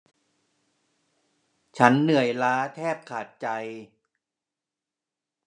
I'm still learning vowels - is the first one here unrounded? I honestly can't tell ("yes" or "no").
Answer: yes